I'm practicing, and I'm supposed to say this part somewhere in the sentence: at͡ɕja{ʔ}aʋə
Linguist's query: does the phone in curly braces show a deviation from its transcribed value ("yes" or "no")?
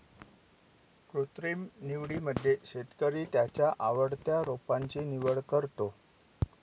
no